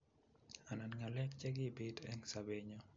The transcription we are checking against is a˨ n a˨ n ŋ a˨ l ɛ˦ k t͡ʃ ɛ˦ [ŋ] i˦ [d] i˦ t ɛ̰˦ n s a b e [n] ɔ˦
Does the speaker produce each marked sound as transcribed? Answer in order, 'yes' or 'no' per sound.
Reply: no, no, no

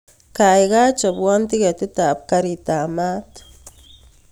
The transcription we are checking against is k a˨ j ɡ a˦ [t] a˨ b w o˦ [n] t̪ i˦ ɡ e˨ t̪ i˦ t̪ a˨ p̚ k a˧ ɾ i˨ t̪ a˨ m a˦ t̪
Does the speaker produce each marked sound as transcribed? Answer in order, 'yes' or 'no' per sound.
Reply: no, yes

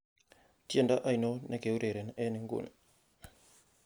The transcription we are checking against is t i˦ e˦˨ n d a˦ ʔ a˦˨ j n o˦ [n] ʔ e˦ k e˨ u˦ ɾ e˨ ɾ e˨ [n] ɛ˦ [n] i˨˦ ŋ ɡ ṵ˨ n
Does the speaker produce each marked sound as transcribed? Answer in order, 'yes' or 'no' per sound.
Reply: yes, yes, yes

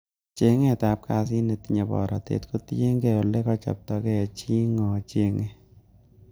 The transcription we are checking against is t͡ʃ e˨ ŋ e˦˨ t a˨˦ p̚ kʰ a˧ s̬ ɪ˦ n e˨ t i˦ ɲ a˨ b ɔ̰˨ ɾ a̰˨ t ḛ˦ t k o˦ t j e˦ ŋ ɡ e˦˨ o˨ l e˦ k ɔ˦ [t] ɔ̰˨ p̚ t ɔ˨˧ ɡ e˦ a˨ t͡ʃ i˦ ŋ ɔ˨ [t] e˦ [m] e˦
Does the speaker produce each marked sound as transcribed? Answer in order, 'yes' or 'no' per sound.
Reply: no, no, no

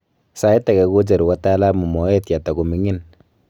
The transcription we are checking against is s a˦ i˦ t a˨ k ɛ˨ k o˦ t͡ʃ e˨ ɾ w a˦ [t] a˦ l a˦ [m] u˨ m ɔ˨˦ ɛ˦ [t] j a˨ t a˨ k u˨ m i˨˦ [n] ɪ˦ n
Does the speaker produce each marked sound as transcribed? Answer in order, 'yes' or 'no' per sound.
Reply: yes, yes, yes, no

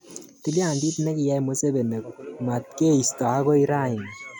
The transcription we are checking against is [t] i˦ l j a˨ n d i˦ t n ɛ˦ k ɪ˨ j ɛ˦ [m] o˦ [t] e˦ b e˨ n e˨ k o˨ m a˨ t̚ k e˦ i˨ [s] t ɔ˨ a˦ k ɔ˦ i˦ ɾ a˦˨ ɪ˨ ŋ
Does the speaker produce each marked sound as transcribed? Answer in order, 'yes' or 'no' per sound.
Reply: yes, yes, no, yes

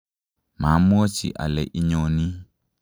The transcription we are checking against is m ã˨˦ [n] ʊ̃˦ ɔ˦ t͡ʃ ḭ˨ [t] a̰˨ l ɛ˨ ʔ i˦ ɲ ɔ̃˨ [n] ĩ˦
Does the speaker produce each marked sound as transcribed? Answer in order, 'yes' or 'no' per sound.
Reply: no, no, yes

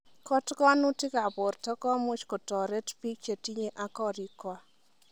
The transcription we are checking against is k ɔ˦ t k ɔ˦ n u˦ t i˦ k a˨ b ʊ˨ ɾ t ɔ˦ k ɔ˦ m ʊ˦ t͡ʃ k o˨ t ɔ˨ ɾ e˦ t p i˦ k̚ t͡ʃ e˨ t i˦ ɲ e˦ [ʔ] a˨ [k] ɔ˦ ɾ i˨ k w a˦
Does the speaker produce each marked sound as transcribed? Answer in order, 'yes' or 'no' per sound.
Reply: yes, yes

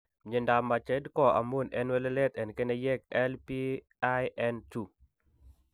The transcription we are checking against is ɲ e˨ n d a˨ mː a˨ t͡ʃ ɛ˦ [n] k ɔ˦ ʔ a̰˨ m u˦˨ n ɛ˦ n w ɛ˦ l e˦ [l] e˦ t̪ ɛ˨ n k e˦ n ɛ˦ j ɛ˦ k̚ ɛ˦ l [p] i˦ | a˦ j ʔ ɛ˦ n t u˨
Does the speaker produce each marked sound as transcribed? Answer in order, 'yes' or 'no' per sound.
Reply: no, yes, yes

